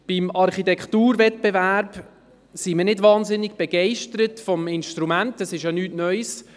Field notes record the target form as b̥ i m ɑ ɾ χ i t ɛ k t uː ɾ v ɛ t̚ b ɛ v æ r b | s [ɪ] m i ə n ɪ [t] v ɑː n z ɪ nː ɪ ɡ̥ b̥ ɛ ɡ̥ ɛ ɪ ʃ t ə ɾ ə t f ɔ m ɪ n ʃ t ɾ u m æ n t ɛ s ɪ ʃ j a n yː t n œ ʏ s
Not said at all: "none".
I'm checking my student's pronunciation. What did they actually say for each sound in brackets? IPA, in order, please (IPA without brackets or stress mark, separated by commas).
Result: i, d